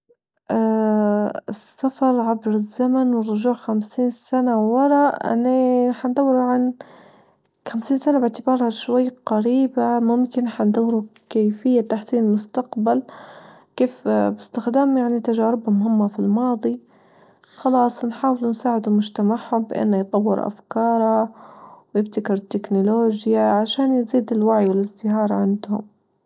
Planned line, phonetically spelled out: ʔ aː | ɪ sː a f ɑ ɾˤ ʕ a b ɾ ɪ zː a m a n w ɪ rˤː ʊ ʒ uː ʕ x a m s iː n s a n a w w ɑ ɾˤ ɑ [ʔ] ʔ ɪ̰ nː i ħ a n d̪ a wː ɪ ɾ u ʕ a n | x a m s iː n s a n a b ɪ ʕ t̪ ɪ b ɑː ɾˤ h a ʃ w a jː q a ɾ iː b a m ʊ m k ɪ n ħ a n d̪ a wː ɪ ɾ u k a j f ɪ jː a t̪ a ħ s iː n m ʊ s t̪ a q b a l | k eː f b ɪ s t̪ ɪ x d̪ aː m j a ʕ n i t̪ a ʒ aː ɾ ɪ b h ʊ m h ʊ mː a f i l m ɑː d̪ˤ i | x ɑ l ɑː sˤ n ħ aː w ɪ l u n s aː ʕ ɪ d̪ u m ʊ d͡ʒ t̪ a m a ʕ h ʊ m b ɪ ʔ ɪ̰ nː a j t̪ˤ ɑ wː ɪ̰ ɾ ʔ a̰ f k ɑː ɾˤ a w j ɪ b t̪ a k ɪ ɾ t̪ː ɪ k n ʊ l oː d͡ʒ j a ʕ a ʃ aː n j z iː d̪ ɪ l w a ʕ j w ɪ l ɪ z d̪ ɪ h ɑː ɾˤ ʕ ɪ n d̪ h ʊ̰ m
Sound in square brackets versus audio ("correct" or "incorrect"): correct